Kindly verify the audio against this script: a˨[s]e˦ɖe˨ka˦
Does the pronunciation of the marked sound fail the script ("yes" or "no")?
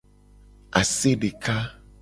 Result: no